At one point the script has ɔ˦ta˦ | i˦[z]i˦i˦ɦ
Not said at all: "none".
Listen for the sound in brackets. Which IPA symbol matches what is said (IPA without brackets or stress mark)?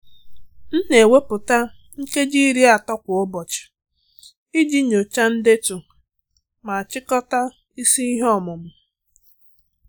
s